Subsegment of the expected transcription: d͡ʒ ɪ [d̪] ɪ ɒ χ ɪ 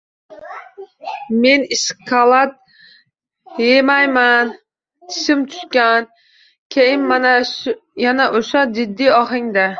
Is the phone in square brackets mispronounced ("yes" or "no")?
yes